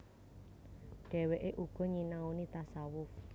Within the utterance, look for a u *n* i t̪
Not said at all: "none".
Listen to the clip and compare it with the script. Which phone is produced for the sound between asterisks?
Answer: n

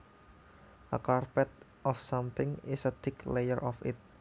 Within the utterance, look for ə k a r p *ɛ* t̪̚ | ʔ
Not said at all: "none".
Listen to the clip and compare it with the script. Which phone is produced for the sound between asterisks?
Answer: ɛ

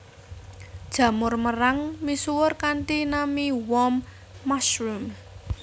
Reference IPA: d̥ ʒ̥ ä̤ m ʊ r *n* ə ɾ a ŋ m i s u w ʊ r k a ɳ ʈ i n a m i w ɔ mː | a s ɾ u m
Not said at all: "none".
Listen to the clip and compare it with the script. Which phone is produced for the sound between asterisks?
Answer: m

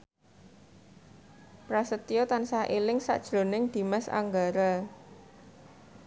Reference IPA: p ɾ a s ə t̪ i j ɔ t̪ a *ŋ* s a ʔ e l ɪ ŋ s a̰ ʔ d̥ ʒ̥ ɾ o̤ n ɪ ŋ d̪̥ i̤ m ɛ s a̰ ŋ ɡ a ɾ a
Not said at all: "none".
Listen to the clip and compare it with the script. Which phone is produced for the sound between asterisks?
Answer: n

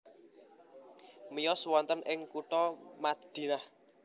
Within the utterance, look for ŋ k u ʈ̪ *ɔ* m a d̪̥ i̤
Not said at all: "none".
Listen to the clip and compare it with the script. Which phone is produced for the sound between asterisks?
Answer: ɔ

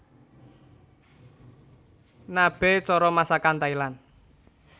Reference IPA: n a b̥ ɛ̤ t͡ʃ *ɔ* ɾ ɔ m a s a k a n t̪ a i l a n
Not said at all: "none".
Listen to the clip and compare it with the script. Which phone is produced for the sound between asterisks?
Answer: ɔ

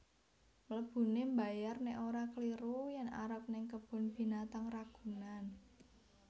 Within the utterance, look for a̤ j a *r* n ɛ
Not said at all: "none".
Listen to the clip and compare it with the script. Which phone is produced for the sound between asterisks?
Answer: r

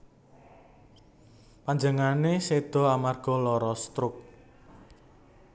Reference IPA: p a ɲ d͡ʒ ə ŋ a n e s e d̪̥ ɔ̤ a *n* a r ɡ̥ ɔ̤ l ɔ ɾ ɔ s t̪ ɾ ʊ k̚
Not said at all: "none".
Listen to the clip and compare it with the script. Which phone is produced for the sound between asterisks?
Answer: m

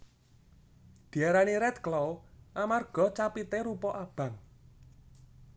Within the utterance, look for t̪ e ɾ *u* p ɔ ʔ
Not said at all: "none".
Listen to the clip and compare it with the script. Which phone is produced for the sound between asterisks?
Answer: u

